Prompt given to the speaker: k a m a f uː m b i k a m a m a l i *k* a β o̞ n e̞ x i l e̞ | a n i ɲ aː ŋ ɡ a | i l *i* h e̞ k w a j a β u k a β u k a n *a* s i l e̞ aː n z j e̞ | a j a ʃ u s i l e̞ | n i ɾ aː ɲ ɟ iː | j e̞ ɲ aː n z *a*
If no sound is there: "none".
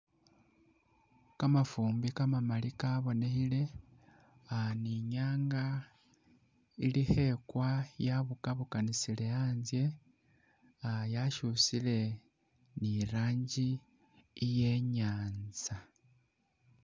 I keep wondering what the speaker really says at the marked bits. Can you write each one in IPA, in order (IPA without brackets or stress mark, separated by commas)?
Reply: k, i, i, a